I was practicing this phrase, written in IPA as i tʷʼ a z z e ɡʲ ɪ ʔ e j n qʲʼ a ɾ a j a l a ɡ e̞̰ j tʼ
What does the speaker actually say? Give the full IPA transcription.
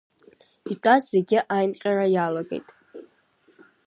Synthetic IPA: i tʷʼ a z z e ɡʲ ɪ ʔ a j n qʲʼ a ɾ a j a l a ɡ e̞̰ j tʼ